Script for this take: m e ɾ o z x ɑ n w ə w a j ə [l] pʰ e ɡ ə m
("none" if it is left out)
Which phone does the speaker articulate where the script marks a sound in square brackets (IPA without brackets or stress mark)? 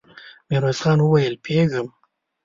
l